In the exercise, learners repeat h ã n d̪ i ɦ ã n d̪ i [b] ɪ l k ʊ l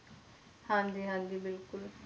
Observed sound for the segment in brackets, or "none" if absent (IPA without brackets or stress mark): b